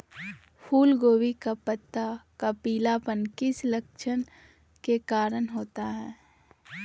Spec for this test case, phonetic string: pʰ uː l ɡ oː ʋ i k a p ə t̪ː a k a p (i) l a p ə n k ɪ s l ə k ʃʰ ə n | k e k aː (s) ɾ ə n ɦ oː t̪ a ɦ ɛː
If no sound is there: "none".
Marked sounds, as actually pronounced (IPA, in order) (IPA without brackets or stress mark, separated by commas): iː, none